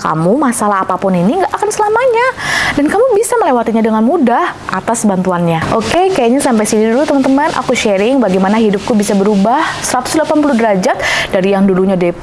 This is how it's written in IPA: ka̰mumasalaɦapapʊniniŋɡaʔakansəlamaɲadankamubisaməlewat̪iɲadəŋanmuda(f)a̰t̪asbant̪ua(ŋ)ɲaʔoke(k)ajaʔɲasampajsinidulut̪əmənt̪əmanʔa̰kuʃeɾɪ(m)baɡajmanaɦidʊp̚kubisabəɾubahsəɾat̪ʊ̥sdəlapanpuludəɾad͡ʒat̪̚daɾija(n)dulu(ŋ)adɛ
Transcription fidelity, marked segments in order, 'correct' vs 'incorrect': incorrect: h, incorrect: n, correct, incorrect: ŋ, incorrect: ŋ, incorrect: ɲ

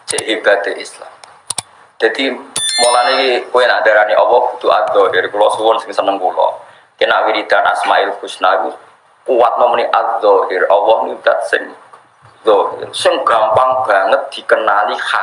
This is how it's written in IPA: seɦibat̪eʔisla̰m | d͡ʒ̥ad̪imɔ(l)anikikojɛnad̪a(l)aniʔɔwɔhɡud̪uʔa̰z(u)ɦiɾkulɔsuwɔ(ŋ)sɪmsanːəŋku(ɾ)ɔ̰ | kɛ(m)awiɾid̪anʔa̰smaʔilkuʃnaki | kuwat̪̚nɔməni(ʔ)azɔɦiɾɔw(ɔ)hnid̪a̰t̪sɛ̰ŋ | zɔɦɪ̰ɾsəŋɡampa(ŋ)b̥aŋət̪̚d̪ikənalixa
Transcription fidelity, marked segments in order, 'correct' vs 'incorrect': correct, incorrect: ɾ, incorrect: ɔ, incorrect: n, incorrect: l, incorrect: n, correct, correct, correct

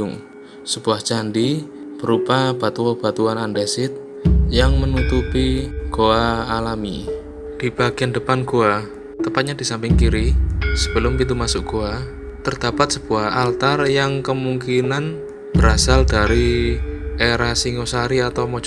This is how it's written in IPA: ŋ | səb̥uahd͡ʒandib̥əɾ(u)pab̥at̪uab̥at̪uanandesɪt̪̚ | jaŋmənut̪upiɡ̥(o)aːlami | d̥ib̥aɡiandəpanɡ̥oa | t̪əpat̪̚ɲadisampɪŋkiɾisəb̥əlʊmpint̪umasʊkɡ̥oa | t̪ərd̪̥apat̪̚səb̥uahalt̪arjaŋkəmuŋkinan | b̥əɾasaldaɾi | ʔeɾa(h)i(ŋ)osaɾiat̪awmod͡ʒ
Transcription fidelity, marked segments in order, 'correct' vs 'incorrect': correct, correct, incorrect: s, correct

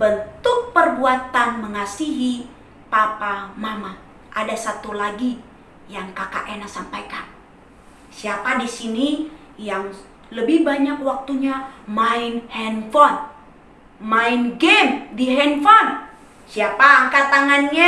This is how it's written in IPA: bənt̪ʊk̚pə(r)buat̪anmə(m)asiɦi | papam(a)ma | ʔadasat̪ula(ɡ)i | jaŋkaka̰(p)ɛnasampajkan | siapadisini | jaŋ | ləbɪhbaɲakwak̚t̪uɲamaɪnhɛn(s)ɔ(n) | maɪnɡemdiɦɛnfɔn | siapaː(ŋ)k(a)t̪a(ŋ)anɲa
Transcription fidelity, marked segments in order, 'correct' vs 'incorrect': correct, incorrect: ŋ, correct, correct, incorrect: ʔ, incorrect: f, correct, correct, correct, correct

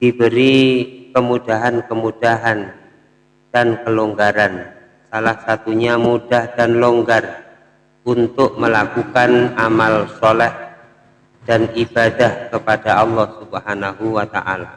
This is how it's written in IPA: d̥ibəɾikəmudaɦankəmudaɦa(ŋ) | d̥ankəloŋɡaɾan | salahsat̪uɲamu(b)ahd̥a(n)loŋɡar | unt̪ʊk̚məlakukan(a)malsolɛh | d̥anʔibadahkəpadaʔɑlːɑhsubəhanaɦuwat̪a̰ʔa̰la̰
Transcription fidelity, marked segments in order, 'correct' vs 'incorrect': incorrect: n, incorrect: d, correct, correct

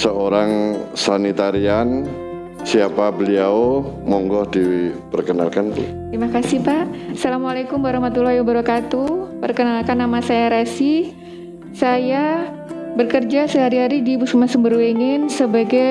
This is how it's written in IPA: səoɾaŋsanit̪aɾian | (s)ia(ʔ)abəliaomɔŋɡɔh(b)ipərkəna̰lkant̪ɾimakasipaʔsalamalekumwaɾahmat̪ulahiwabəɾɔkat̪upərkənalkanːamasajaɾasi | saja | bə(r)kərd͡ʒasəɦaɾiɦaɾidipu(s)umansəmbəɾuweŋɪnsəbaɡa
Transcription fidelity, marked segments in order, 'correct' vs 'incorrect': correct, incorrect: p, incorrect: d, correct, correct

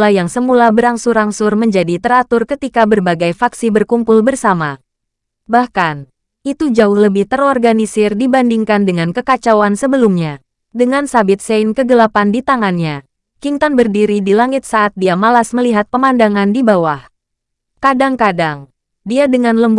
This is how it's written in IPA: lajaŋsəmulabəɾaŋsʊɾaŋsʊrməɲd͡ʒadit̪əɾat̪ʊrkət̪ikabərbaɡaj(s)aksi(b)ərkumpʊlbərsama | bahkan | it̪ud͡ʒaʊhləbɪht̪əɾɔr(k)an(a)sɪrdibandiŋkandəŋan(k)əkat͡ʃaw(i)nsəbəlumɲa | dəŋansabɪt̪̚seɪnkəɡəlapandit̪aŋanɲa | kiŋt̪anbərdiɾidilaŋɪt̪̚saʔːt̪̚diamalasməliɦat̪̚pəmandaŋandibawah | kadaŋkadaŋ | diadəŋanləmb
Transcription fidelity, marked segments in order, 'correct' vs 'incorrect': incorrect: f, correct, incorrect: ɡ, incorrect: i, correct, incorrect: a

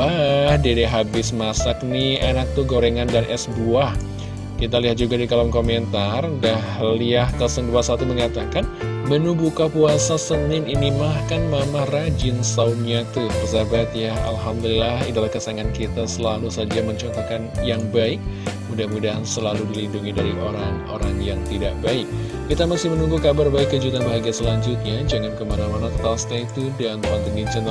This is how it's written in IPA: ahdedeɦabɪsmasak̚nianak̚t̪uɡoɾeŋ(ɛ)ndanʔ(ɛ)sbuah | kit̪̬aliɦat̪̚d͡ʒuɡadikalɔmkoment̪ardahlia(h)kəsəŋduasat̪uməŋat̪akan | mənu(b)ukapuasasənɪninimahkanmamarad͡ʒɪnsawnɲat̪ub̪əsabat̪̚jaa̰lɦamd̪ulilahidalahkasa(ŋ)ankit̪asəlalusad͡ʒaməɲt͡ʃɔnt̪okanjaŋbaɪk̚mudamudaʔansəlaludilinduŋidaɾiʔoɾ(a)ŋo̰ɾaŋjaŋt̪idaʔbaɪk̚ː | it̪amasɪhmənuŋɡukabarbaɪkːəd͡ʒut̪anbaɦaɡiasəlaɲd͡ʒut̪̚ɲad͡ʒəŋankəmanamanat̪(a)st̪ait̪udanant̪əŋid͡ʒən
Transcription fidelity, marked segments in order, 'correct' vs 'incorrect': incorrect: a, correct, correct, correct, correct, correct, correct

